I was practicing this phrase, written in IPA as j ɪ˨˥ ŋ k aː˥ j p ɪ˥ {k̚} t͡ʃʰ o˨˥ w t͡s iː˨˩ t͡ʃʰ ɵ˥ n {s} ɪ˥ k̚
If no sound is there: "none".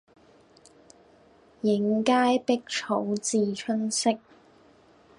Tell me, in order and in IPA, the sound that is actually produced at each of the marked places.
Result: k̚, s

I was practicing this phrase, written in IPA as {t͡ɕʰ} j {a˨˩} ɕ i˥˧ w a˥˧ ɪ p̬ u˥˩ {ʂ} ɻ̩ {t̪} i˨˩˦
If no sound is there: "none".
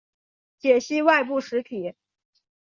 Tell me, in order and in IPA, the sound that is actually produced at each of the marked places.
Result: t͡ɕ, ɛ˨˩, ʂ, t̪ʰ

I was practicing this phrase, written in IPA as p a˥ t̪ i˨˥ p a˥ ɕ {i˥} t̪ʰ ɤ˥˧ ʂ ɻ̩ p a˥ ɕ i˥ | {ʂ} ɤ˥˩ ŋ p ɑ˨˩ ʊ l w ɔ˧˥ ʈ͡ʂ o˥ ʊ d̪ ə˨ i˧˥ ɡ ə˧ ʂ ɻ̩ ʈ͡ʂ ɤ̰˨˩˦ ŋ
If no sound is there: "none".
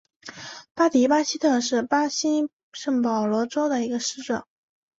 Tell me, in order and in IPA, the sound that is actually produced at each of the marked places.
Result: i˥, ʂ

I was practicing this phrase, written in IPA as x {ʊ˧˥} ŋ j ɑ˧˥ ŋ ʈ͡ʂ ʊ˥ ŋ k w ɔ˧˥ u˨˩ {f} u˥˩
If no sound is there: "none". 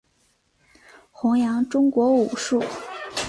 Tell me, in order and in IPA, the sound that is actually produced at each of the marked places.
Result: ʊ˧˥, ʂ

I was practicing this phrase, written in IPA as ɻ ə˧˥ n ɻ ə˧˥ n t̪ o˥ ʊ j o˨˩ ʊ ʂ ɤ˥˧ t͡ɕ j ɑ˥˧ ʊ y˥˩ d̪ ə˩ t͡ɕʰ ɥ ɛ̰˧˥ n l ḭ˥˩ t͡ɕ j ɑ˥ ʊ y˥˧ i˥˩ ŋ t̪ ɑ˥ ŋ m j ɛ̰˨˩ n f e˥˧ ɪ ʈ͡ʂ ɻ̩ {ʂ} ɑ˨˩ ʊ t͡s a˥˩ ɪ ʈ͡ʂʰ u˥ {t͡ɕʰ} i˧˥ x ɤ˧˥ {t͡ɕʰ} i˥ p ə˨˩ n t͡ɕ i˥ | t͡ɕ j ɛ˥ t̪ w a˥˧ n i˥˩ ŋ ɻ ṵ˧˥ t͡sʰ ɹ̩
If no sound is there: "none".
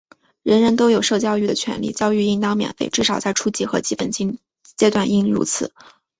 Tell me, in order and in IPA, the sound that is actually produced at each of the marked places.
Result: ʂ, t͡ɕ, t͡ɕ

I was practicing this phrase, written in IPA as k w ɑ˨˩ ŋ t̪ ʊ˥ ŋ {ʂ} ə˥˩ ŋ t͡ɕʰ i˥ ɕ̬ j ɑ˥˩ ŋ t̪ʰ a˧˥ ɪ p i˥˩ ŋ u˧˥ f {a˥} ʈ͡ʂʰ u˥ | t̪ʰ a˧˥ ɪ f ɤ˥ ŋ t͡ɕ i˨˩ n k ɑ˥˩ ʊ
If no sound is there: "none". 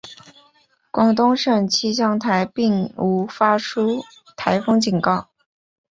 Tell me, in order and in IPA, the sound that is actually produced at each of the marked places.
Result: ʂ, a˥

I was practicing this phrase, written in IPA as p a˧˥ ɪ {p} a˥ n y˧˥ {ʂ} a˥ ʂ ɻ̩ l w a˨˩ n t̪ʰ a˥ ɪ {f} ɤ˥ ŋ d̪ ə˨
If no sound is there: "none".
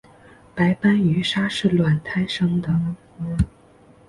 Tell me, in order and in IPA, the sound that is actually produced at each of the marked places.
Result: p, ʂ, ʂ

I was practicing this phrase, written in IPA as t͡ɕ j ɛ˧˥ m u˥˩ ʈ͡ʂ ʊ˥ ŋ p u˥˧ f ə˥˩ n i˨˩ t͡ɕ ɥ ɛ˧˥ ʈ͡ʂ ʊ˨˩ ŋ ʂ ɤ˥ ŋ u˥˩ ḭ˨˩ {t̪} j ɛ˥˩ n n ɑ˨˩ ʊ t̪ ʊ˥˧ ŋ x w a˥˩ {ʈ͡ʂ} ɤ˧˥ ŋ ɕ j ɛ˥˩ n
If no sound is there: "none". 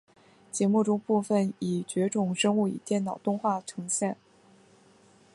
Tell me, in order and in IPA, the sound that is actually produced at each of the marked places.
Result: t̪, ʈ͡ʂʰ

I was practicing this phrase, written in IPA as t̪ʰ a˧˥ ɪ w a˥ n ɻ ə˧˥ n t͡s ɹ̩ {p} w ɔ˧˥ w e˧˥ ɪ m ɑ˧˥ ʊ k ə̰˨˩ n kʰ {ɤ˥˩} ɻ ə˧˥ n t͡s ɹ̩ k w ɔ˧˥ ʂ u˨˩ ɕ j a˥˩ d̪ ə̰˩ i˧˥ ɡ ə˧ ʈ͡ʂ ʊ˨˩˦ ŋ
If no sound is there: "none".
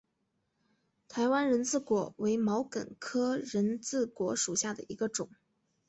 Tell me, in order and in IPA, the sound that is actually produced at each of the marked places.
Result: k, ɤ˥

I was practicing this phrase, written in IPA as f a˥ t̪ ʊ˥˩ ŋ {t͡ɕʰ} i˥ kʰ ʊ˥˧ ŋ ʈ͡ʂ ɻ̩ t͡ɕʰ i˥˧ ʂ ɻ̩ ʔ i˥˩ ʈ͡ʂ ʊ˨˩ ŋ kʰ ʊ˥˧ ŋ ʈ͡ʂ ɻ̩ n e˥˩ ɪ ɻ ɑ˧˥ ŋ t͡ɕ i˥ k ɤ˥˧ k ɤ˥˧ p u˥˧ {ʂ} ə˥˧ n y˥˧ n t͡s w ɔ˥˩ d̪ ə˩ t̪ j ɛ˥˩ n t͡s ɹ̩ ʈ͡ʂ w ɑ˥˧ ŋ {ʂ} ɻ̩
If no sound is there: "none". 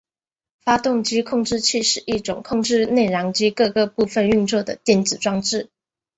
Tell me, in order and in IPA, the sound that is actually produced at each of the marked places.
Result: t͡ɕ, f, ʈ͡ʂ

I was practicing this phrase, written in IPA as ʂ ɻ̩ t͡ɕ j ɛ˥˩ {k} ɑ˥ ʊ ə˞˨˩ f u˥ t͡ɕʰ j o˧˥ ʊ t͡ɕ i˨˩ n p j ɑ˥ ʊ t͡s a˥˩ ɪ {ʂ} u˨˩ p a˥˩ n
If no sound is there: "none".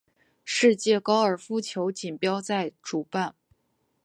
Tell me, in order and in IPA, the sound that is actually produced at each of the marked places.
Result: k, ʈ͡ʂ

